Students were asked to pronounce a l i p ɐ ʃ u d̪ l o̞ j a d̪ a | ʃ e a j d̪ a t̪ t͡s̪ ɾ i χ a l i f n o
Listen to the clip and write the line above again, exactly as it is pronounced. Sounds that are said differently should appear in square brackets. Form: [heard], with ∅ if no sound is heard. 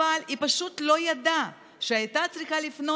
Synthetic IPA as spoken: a l i p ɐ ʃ u [t̪] l o̞ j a d̪ a | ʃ e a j [t̪] a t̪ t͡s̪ ɾ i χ a l i f n o